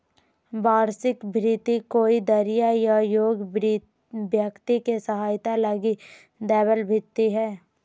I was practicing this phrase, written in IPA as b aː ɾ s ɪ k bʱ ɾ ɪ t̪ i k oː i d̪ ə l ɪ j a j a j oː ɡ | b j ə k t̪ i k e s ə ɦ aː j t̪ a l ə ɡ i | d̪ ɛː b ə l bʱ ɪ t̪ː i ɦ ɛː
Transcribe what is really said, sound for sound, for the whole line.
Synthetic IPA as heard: b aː ɾ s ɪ k bʱ ɾ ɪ t̪ i k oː i d̪ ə ɾ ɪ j a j a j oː ɡ | b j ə k t̪ i k e s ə ɦ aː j t̪ a l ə ɡ i | d̪ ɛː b ə l bʱ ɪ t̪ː i ɦ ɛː